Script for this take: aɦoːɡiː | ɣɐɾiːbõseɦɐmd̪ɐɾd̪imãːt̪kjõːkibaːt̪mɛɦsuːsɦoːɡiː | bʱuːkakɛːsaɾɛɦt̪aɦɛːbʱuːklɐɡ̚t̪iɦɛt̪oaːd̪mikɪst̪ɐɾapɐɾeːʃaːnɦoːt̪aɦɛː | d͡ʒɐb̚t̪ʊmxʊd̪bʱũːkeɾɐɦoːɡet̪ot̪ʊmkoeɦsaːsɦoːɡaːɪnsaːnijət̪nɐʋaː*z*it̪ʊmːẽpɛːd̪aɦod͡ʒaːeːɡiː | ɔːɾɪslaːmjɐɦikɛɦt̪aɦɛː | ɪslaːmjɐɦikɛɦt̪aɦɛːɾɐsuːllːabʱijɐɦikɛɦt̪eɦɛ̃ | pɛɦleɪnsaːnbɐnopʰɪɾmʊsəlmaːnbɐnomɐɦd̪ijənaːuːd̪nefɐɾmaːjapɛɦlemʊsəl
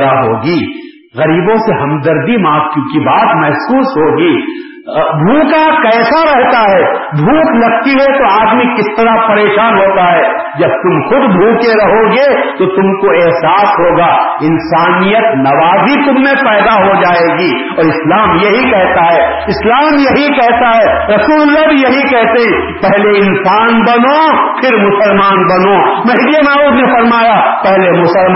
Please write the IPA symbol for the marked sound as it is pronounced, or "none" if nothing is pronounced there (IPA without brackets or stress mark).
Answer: z